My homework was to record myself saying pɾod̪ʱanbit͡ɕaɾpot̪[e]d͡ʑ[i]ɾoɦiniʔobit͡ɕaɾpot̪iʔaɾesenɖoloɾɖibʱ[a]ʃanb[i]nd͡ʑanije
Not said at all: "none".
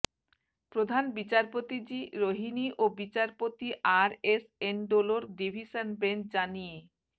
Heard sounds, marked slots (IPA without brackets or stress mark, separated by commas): i, i, i, e